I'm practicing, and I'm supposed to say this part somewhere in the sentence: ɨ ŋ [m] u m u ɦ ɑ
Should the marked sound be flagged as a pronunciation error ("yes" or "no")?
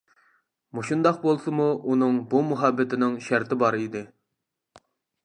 yes